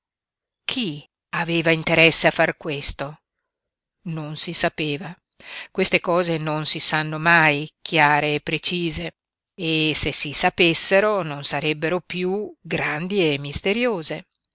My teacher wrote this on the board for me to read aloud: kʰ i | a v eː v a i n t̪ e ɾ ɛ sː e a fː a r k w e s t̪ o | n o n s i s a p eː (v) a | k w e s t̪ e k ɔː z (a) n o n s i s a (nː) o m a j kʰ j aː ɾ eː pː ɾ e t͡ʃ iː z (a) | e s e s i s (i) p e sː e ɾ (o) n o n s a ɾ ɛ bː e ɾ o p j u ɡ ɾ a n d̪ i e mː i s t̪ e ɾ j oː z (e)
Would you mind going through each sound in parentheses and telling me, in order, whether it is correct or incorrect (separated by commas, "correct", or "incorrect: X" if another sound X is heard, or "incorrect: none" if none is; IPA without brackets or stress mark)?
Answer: correct, incorrect: e, correct, incorrect: e, incorrect: a, correct, correct